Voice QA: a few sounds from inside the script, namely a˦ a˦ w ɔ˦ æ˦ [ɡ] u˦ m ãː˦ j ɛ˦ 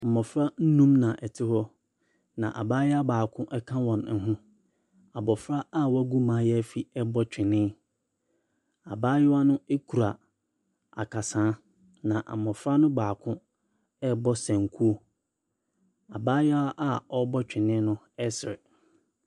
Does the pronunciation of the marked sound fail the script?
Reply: no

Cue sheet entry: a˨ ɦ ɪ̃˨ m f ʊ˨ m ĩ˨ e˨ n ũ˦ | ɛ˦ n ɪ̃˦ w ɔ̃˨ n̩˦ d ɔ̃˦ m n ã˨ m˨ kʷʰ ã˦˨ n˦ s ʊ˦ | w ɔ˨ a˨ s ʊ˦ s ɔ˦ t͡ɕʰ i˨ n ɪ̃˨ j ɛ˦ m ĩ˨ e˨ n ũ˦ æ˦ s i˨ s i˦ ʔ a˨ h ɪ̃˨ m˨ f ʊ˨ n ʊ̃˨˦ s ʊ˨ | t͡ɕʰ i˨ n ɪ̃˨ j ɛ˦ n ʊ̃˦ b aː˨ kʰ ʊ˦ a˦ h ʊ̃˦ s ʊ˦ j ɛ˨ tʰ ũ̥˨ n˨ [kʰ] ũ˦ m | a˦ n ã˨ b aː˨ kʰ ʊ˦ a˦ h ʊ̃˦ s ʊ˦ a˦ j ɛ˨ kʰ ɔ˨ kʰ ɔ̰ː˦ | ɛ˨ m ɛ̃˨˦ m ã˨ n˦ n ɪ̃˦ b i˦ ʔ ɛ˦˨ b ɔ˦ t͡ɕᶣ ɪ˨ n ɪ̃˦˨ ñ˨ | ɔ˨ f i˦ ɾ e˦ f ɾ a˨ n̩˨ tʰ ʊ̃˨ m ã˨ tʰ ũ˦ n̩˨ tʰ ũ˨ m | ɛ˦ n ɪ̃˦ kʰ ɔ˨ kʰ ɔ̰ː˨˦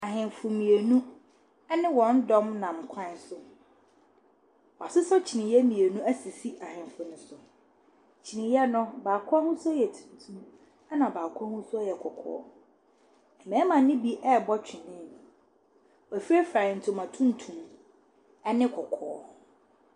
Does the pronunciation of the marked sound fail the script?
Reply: yes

